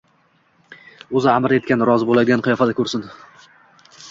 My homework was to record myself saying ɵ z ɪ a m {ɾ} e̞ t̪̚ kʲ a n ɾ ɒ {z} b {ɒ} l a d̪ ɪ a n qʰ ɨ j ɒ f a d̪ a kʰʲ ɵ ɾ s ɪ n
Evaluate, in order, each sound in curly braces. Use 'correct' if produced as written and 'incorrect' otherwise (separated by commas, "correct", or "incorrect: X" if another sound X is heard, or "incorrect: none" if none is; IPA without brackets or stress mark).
correct, correct, incorrect: o